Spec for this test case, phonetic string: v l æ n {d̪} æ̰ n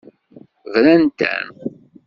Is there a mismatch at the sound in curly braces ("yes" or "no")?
yes